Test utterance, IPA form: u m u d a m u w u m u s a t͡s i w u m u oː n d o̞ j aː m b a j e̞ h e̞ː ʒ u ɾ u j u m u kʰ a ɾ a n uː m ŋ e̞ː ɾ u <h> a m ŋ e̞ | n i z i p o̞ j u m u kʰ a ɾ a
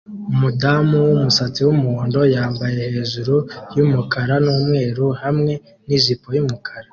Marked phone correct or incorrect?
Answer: correct